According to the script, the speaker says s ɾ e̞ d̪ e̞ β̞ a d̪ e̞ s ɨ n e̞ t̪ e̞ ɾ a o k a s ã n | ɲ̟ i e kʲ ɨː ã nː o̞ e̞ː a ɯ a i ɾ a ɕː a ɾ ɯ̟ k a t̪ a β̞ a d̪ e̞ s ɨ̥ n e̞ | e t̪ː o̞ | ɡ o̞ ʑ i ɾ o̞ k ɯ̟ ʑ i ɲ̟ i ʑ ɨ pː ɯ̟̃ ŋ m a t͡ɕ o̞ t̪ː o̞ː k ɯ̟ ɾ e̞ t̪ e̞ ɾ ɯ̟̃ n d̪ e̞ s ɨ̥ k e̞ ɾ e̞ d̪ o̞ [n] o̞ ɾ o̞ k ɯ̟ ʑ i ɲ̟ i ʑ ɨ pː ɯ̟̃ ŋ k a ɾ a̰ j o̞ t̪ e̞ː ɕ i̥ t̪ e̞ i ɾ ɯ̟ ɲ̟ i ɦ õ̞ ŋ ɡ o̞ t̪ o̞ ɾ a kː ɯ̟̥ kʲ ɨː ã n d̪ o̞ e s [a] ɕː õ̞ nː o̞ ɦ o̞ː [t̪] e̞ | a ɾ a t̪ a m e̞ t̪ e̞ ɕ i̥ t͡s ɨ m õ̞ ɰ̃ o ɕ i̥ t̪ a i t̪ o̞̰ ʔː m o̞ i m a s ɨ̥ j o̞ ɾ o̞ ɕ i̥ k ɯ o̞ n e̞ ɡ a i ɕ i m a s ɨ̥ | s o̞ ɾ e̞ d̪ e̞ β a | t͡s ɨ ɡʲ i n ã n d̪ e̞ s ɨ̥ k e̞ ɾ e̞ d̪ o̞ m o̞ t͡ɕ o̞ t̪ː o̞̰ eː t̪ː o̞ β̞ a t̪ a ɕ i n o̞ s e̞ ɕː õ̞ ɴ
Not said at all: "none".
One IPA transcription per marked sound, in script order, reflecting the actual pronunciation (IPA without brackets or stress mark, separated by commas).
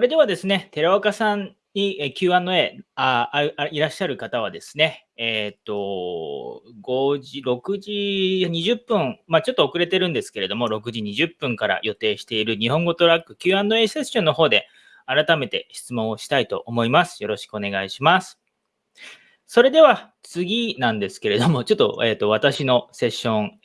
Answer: m, e, d̪